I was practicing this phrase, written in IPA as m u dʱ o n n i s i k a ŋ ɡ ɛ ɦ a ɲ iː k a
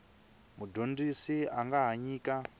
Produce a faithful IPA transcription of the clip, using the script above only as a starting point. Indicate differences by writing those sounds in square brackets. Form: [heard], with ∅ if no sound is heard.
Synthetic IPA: m u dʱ o n [d] i s i [∅] a ŋ ɡ [a] ɦ a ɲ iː k a

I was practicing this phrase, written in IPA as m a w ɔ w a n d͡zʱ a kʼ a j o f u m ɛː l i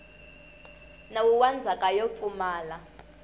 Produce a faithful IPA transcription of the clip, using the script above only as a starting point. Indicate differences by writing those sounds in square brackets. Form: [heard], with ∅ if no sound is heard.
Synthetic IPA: [n] a w [u] w a n d͡zʱ a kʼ a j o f u m [aː] l [a]

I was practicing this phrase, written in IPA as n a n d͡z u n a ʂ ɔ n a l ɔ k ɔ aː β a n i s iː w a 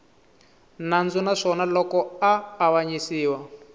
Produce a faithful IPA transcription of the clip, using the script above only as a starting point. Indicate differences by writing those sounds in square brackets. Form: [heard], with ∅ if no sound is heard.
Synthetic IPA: n a n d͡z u n a ʂ ɔ n a l ɔ k ɔ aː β a [ɲ] i s iː w a

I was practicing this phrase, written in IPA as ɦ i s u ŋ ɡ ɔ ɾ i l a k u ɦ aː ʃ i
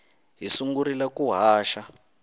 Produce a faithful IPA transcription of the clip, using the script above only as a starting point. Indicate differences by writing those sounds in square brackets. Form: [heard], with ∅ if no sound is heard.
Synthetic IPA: ɦ i s u ŋ ɡ [u] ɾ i l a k u ɦ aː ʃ [a]

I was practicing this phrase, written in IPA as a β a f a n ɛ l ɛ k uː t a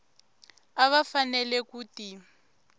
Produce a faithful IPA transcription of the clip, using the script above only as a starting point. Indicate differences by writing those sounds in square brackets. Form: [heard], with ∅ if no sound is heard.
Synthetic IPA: a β a f a n ɛ l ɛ k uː t [i]

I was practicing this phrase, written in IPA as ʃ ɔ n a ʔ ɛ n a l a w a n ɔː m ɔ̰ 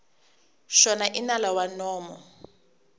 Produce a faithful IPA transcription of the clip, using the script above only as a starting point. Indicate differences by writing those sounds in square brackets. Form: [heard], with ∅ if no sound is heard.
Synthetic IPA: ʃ ɔ n a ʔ [i] n a l a w a n ɔː m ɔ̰

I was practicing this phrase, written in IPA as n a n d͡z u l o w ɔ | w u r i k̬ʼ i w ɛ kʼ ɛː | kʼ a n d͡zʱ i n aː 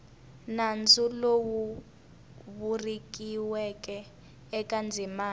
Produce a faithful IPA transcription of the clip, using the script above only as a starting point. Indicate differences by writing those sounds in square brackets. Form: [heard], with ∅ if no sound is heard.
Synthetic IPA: n a n d͡z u l o w [u] | [β] u r i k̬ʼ i w ɛ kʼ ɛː | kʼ a n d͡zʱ i [m] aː

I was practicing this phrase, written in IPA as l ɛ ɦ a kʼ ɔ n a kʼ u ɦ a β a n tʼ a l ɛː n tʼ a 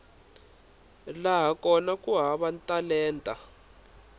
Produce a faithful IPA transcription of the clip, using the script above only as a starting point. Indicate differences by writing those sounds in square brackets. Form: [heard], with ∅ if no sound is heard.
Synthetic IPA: l [a] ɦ a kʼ ɔ n a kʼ u ɦ a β a n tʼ a l ɛː n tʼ a

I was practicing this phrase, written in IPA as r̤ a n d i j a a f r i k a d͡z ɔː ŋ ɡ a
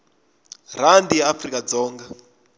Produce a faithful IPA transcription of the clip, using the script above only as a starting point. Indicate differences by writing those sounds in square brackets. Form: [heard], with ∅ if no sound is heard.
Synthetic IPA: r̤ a n d i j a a f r i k a d͡z ɔː ŋ ɡ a

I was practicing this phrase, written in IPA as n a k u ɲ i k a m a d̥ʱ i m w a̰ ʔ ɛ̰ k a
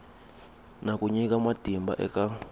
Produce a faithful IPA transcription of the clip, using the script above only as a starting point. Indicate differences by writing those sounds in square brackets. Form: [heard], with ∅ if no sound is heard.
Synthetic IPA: n a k u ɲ i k a m a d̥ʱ i m [b] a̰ ʔ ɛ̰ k a

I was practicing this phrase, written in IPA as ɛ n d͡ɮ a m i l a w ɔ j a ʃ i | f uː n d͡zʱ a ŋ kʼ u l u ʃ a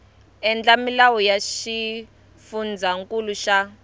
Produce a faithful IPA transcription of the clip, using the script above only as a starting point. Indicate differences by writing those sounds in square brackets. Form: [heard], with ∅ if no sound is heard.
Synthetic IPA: ɛ n d͡ɮ a m i l a w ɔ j a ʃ i | f [u] n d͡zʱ a ŋ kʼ u l u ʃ a

